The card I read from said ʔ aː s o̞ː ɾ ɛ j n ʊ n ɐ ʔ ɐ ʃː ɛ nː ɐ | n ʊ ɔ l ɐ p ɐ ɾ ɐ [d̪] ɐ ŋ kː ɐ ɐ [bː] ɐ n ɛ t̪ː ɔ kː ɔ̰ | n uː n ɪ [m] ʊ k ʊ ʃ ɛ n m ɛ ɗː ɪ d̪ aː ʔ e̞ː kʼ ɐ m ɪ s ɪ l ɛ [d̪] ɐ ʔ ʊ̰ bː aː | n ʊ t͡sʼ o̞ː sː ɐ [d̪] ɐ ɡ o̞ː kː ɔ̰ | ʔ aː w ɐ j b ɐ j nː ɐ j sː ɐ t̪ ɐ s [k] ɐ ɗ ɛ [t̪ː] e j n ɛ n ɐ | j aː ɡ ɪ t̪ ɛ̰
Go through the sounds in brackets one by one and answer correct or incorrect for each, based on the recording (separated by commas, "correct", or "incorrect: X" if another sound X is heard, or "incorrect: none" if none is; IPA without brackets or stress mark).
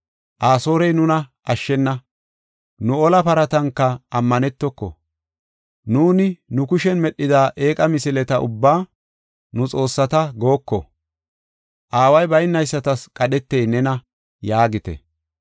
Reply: incorrect: t̪, incorrect: mː, incorrect: n, incorrect: t̪, incorrect: t̪, incorrect: kʼ, correct